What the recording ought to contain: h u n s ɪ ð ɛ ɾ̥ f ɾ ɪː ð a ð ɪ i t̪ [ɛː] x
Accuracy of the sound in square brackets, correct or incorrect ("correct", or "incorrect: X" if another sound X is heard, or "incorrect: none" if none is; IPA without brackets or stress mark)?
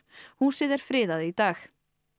incorrect: aː